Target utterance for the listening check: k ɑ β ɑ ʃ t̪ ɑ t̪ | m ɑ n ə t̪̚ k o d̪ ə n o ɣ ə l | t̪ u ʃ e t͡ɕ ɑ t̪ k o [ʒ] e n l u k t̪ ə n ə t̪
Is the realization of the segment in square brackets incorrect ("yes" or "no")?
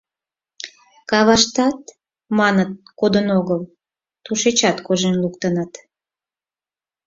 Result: no